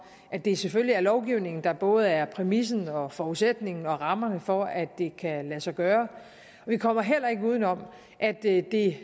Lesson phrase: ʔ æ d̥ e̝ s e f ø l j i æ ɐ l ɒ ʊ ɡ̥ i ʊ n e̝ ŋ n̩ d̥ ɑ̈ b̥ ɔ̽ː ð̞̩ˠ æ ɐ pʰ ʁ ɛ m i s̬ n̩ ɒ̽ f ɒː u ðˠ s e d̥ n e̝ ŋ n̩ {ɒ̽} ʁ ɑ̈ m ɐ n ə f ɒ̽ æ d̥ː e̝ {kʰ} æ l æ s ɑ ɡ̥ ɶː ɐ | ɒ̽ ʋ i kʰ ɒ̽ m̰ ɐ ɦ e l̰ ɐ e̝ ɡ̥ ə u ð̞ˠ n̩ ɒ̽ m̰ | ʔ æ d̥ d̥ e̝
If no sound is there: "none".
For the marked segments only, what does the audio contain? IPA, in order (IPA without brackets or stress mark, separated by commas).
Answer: ɒ̽, kʰ